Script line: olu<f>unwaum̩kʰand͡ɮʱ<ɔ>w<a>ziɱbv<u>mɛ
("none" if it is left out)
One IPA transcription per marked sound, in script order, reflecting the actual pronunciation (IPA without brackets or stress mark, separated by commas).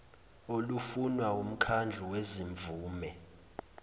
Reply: f, u, e, uː